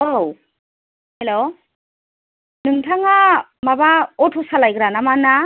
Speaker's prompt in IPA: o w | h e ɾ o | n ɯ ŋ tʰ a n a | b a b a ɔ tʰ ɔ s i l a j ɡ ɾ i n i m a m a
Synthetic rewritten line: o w | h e l o | n ɯ ŋ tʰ a ŋ a | m a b a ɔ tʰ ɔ s a l a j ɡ ɾ a n a m a n a